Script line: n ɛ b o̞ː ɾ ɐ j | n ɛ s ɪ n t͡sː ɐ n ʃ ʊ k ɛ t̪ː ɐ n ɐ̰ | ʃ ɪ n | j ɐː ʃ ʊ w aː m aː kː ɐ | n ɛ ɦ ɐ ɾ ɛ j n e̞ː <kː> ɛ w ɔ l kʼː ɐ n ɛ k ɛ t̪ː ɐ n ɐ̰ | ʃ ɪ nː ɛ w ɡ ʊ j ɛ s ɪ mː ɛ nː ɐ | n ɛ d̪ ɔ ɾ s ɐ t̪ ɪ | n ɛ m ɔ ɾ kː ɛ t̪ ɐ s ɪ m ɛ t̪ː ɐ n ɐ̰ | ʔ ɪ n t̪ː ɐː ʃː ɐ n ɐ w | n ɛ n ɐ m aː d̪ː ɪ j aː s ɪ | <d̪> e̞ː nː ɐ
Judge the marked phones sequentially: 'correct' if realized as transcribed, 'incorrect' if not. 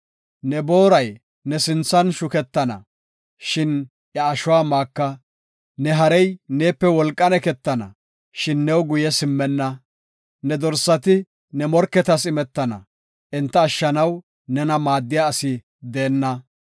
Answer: incorrect: pː, correct

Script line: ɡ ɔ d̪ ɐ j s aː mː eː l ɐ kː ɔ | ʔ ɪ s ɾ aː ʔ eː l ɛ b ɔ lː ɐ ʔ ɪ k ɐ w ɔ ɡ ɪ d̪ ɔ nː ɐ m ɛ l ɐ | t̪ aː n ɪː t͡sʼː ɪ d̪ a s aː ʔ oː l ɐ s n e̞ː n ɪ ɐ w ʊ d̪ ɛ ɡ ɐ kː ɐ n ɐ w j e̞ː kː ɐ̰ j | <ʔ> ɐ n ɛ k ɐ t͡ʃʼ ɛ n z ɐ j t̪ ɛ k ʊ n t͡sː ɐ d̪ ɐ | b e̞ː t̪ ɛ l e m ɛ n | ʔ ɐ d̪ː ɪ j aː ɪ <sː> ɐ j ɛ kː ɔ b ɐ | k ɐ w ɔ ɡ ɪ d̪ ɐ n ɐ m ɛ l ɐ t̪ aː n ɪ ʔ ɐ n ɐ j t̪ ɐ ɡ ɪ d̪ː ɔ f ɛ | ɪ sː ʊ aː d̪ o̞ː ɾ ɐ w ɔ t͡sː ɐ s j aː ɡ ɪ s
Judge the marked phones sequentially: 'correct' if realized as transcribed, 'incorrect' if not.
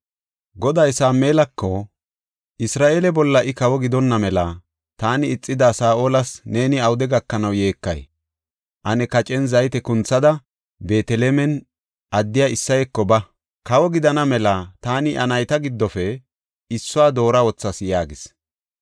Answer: correct, correct

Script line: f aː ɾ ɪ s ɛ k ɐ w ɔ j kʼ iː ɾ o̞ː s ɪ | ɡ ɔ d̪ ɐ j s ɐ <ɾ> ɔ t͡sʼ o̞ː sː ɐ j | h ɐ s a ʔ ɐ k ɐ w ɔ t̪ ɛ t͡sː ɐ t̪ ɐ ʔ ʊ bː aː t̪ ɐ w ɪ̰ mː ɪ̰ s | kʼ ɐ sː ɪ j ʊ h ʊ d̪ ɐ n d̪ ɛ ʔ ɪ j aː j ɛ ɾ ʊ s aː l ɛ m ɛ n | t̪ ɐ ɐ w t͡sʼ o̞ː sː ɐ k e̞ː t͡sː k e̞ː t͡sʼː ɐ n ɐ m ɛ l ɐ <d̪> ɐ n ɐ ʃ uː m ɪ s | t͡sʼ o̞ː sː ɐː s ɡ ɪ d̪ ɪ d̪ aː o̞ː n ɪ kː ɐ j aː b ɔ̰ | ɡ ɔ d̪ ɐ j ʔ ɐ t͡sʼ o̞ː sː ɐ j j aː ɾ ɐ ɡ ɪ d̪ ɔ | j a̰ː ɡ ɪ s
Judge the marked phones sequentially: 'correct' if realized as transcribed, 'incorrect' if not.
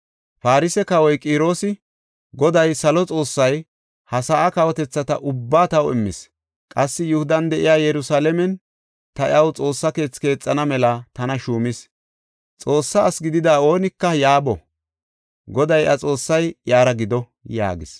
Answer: incorrect: l, incorrect: t̪

